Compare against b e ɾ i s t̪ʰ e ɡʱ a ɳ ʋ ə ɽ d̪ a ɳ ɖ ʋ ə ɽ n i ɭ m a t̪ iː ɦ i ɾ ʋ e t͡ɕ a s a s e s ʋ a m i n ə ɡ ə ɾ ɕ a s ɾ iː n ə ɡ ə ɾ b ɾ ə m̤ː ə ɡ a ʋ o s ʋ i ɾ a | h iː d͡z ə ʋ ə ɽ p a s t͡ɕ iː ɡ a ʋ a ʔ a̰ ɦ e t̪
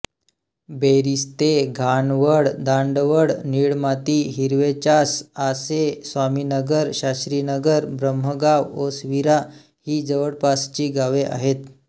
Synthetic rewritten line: b e ɾ i s t̪ e ɡʱ a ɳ ʋ ə ɽ d̪ a ɳ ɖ ʋ ə ɽ n i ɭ m a t̪ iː ɦ i ɾ ʋ e t͡ɕ a s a s e s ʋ a m i n ə ɡ ə ɾ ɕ a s ɾ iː n ə ɡ ə ɾ b ɾ ə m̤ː ə ɡ a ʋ o s ʋ i ɾ a | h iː d͡z ə ʋ ə ɽ p a s t͡ɕ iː ɡ a ʋ e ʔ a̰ ɦ e t̪